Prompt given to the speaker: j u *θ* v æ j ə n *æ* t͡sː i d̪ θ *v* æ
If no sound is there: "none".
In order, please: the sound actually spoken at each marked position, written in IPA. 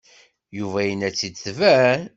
none, æ, v

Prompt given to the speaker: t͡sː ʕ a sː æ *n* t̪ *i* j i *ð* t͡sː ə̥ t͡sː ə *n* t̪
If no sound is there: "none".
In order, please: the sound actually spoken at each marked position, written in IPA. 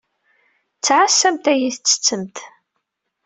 m, æ, θ, m

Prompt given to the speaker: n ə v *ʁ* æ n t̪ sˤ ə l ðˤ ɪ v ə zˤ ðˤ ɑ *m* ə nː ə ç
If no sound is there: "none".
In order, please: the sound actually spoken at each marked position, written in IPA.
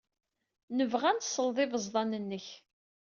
ʁ, n

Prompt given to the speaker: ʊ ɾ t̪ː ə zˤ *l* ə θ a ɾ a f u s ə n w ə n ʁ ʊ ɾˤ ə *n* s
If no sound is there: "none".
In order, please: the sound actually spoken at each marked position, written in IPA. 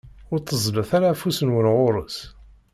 l, none

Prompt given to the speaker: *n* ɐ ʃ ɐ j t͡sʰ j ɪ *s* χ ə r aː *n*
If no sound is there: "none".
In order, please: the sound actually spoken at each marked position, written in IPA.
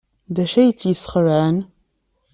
d, s, n

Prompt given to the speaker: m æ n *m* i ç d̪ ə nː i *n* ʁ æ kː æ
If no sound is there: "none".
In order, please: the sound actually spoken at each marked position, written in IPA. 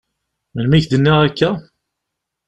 m, none

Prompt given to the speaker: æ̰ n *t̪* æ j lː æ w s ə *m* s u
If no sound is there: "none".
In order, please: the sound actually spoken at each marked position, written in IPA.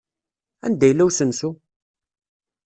d̪, n

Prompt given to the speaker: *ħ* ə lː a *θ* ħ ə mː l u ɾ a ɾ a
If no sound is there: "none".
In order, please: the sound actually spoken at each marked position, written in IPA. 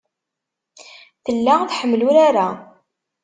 θ, θ

